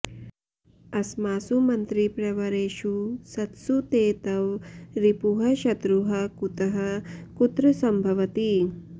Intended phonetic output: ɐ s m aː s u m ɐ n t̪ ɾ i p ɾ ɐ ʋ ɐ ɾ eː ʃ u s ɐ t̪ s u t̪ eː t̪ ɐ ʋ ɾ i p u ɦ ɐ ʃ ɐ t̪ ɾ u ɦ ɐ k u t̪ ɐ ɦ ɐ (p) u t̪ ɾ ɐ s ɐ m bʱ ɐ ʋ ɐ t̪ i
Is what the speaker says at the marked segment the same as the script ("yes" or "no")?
no